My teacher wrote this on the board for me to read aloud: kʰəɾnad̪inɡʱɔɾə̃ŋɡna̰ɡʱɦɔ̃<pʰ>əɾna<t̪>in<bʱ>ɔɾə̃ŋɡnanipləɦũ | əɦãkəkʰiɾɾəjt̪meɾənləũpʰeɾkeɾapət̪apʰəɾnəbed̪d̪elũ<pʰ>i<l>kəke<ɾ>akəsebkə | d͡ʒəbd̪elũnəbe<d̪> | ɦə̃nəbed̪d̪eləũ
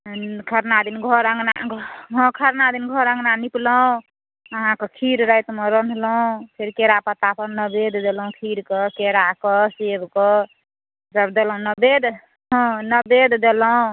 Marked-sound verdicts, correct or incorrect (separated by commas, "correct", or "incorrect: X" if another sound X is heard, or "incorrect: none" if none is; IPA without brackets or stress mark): incorrect: kʰ, incorrect: d̪, incorrect: ɡʱ, incorrect: kʰ, incorrect: ɾ, correct, correct